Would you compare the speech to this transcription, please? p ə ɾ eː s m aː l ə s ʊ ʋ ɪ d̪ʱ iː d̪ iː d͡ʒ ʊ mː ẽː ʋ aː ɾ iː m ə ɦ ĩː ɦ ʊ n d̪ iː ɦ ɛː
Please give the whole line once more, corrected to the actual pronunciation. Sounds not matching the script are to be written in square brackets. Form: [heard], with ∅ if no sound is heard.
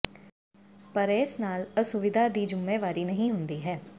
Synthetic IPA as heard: p ə ɾ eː s [n] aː l ə s ʊ ʋ ɪ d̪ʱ [aː] d̪ iː d͡ʒ ʊ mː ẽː ʋ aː ɾ iː [n] ə ɦ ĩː ɦ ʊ n d̪ iː ɦ ɛː